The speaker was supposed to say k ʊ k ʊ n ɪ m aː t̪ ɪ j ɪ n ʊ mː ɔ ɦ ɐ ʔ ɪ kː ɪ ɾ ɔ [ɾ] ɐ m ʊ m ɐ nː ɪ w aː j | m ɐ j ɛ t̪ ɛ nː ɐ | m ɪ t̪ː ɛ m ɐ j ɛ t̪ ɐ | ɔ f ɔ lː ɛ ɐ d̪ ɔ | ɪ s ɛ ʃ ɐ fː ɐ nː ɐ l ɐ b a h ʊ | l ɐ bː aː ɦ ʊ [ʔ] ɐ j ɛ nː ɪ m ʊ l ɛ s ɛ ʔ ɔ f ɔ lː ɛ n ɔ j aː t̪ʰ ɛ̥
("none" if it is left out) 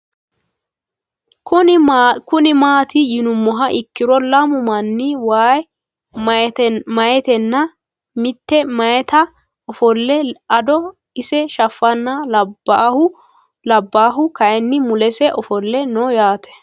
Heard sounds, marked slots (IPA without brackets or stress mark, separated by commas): l, k